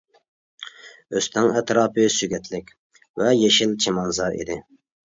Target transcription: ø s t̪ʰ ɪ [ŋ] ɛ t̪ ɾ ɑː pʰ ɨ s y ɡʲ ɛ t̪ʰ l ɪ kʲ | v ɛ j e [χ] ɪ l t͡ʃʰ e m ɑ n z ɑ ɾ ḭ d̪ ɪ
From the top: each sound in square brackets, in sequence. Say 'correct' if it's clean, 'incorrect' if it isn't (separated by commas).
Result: correct, incorrect